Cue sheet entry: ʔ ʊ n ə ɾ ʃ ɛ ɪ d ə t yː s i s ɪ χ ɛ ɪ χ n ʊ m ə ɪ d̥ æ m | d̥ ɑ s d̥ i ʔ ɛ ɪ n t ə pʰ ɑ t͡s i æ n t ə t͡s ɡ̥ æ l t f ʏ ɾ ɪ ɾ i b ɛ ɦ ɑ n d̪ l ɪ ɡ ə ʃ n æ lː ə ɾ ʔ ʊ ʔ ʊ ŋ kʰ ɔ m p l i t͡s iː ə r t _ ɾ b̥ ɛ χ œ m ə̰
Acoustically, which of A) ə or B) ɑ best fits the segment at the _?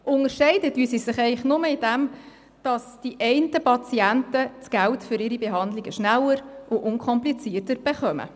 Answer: A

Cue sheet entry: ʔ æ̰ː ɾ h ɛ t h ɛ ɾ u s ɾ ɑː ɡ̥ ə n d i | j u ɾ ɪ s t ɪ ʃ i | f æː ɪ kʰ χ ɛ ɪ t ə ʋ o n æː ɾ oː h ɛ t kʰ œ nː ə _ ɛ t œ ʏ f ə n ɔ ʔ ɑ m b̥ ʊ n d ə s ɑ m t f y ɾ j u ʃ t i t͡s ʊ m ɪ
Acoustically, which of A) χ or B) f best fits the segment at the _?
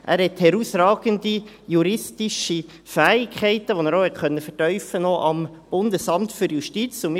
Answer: B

